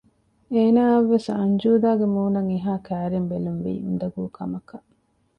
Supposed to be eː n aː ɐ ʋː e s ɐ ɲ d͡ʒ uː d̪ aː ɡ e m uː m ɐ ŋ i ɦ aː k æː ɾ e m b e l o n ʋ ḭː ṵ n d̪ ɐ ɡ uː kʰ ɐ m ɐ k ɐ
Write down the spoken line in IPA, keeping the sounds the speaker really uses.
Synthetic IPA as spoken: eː n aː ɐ ʋː e s ɐ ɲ d͡ʒ uː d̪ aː ɡ e m uː n ɐ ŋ i ɦ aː k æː ɾ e m b e l u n ʋ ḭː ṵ n d̪ ɐ ɡ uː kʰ ɐ m ɐ k ɐ